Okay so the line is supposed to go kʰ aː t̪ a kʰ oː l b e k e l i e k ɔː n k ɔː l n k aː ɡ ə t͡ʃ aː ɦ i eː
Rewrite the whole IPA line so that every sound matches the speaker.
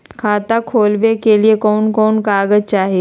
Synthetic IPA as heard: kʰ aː t̪ a kʰ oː l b e k e l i e k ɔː n k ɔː n k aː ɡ ə t͡ʃ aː ɦ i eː